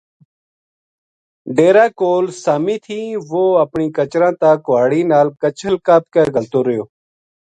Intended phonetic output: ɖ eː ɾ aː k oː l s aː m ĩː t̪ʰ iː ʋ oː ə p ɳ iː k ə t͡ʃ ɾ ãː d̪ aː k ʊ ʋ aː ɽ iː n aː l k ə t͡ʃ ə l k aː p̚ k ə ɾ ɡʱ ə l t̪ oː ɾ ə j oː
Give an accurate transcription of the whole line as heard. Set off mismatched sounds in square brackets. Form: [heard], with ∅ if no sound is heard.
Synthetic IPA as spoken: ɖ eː ɾ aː k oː l s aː m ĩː t̪ʰ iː ʋ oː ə p ɳ iː k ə t͡ʃ ɾ ãː [t̪] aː k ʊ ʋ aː ɽ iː n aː l k ə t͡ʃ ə l k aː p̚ k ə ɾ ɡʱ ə l t̪ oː ɾ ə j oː